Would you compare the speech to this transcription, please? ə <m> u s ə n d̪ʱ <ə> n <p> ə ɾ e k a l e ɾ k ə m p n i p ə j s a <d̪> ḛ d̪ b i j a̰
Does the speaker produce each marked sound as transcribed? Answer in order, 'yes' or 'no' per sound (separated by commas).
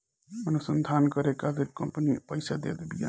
no, no, no, yes